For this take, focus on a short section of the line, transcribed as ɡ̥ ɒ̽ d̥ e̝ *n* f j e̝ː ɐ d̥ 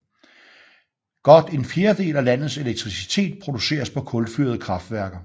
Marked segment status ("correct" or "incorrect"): correct